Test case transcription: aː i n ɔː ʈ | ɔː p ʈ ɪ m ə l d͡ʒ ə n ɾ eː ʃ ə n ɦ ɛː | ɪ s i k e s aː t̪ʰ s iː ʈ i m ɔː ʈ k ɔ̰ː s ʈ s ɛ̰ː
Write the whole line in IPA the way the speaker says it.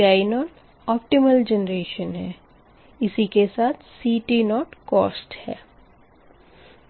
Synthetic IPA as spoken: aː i n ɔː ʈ | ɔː p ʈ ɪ m ə l d͡ʒ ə n ɾ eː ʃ ə n ɦ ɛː | ɪ s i k e s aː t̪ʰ s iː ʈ i n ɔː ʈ k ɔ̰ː s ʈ h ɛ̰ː